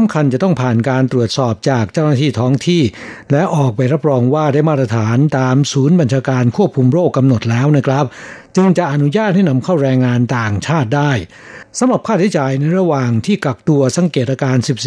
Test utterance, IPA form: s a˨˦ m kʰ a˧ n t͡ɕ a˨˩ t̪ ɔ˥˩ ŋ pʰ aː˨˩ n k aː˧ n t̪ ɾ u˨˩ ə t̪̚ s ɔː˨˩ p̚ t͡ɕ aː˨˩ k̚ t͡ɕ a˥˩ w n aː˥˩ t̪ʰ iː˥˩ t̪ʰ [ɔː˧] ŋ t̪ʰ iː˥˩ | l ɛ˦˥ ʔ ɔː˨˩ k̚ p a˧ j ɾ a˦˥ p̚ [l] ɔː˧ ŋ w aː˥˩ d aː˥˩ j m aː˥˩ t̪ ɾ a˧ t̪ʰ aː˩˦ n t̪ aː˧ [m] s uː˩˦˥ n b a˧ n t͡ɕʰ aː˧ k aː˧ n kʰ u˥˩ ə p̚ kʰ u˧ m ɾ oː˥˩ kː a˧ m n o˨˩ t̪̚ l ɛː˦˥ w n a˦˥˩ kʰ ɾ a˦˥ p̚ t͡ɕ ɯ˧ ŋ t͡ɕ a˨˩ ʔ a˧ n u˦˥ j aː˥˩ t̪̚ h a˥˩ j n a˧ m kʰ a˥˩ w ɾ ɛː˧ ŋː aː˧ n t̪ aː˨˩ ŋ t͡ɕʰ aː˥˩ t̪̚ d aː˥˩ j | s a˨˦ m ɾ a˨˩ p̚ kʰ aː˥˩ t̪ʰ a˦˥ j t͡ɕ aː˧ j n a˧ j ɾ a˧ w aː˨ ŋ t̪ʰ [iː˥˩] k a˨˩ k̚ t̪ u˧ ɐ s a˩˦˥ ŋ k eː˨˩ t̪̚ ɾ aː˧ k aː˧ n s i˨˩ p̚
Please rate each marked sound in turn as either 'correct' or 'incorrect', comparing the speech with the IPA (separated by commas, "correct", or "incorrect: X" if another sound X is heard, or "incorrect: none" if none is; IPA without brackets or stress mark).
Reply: incorrect: ɔː˦˥, incorrect: ɾ, correct, correct